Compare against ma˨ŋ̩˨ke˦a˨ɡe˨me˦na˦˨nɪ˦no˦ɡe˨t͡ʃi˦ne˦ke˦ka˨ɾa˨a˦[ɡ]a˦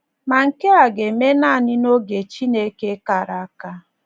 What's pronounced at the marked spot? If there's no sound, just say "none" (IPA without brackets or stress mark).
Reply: k